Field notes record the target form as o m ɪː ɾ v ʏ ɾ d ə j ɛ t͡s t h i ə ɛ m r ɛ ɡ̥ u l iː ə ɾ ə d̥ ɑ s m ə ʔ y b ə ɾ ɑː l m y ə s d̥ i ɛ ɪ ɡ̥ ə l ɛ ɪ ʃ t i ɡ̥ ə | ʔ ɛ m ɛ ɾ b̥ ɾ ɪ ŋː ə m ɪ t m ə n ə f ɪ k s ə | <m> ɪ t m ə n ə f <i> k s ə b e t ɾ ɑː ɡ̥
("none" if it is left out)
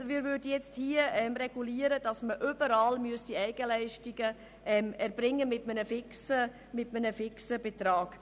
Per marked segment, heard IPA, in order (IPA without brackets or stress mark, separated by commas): m, ɪ